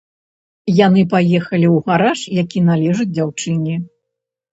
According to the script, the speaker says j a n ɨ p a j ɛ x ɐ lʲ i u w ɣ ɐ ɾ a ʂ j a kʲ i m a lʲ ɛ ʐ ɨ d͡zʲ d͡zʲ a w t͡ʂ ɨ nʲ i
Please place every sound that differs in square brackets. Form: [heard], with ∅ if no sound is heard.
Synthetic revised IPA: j a n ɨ p a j ɛ x ɐ lʲ i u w ɣ [a] ɾ a ʂ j a kʲ i [n] a lʲ ɛ ʐ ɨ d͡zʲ d͡zʲ a w t͡ʂ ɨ nʲ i